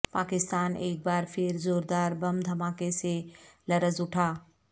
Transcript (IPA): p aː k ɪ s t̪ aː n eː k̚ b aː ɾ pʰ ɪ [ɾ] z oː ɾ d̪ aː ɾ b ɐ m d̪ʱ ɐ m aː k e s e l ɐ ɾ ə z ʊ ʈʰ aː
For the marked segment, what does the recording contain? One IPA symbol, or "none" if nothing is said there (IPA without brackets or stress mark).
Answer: ɾ